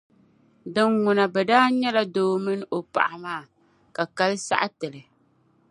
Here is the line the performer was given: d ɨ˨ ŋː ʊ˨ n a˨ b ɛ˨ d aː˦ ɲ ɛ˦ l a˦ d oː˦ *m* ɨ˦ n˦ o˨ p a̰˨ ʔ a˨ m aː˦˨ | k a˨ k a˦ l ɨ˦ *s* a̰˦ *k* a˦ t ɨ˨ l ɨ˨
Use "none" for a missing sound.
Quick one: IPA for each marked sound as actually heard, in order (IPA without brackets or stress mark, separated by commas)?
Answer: m, s, ʔ